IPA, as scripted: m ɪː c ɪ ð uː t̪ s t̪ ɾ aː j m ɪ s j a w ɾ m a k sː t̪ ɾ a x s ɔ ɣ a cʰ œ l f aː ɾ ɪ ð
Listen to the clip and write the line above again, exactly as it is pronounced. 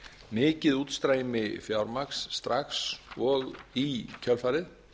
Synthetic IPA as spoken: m ɪː c ɪ ð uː t̪ s t̪ ɾ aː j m ɪ f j a w ɾ m a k sː t̪ ɾ a x s ɔ ɣ i cʰ œ l f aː ɾ ɪ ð